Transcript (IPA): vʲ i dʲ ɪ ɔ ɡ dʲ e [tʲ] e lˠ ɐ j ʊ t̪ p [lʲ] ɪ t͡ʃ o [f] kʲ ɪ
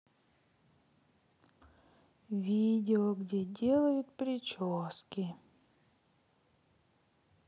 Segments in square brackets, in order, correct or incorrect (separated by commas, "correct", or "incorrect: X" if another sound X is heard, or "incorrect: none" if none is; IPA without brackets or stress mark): incorrect: dʲ, incorrect: ɾʲ, incorrect: s